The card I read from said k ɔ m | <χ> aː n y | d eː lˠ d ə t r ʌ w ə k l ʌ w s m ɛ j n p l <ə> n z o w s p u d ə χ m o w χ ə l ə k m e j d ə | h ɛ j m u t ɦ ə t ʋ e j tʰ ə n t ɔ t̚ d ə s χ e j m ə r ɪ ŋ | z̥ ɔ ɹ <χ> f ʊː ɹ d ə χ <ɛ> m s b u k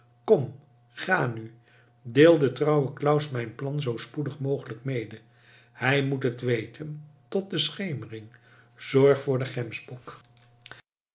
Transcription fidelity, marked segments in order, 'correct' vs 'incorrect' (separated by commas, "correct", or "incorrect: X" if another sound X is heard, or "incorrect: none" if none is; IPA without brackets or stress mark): correct, incorrect: ɑ, correct, correct